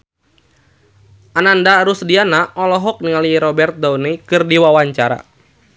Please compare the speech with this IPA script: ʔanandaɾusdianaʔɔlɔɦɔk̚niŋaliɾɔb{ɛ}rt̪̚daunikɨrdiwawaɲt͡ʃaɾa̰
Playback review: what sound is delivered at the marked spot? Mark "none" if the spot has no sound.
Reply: ɛ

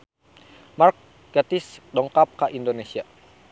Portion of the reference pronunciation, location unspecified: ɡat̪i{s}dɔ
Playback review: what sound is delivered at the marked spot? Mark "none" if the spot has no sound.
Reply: s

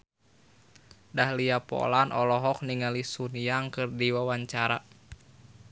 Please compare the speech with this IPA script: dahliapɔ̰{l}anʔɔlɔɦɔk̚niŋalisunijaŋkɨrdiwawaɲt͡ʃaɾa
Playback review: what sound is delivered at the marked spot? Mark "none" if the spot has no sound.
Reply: l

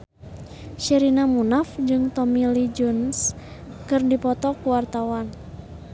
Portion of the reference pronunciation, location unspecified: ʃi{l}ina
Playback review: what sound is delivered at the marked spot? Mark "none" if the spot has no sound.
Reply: ɾ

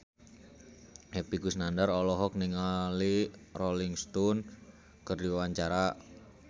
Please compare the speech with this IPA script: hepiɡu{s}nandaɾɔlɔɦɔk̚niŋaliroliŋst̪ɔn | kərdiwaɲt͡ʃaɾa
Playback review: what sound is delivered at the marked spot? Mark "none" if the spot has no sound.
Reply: s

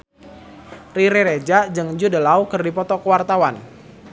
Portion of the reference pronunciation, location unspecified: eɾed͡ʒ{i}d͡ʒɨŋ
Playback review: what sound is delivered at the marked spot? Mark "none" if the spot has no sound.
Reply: a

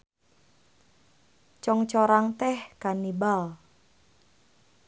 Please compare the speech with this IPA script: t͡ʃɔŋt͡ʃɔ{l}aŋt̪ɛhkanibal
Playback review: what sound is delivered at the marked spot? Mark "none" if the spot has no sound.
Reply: ɾ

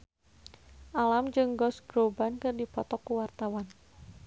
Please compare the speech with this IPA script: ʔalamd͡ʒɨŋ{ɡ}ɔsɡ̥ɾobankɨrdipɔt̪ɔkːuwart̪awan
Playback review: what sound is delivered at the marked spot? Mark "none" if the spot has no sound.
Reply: ɡ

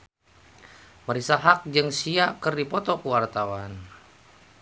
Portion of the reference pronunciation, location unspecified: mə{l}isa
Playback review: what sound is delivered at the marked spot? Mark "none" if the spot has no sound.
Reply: ɾ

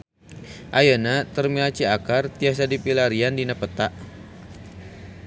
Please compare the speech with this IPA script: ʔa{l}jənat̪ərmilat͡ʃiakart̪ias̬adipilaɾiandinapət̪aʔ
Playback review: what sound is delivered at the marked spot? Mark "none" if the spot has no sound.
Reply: none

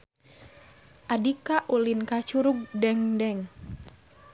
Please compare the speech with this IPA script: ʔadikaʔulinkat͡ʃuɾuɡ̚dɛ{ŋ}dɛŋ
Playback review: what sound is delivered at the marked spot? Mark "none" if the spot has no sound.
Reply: ŋ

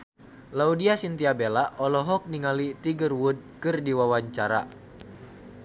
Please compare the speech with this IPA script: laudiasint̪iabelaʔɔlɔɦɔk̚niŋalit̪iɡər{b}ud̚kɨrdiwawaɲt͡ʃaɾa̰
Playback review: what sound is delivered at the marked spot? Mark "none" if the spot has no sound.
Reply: w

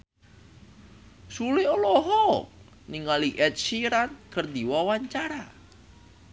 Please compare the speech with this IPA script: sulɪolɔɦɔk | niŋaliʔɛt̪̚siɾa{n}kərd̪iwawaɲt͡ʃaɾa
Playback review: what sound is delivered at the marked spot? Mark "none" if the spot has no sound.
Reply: n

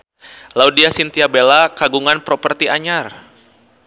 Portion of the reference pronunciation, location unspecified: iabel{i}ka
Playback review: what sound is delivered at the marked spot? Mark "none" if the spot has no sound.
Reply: a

